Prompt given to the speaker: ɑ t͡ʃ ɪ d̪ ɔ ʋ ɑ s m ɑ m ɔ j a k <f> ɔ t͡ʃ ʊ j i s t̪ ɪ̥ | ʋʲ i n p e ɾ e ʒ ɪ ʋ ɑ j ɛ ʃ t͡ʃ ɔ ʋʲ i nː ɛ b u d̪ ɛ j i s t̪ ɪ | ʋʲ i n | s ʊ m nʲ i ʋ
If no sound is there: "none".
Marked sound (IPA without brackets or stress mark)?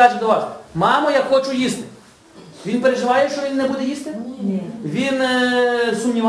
x